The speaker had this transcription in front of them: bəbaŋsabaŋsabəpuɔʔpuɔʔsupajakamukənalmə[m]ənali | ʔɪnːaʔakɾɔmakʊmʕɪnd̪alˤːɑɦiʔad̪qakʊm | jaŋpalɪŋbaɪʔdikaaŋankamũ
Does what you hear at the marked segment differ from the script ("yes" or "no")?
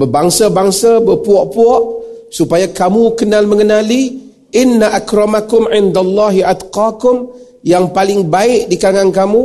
yes